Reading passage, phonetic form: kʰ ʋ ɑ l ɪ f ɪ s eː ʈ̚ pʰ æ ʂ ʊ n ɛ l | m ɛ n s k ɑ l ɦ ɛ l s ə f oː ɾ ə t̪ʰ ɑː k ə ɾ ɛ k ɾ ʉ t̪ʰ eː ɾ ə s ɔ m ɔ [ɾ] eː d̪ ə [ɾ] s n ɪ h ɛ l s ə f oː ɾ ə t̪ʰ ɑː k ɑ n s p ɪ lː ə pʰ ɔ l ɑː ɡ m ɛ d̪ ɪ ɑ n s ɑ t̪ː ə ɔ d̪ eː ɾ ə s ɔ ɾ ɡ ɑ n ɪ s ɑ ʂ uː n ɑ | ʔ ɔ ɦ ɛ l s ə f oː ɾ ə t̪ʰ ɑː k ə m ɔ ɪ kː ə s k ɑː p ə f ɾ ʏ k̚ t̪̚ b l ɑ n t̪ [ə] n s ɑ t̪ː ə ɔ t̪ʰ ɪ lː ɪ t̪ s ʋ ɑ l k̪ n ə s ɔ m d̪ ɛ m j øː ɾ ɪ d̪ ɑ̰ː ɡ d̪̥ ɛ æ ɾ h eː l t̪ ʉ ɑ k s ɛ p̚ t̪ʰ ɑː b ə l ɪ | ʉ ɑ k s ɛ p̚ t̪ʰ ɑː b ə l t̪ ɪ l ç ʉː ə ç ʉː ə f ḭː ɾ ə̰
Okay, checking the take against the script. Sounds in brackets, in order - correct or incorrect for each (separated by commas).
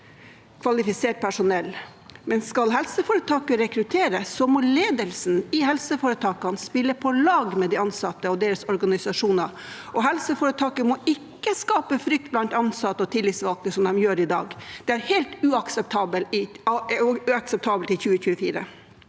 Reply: incorrect, incorrect, incorrect